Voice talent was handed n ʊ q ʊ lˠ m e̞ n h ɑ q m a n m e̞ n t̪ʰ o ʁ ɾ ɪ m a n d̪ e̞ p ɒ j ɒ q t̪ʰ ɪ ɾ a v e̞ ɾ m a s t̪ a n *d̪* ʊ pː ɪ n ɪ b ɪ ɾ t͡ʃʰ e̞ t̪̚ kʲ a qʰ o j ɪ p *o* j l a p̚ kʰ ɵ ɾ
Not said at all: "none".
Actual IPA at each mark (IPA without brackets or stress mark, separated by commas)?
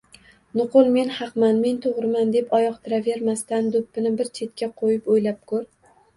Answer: d̪, o